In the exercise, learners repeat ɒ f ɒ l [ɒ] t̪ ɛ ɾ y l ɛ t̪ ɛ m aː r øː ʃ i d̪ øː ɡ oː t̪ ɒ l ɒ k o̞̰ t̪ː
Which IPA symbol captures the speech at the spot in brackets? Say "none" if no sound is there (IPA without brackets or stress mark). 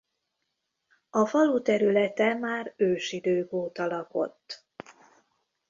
u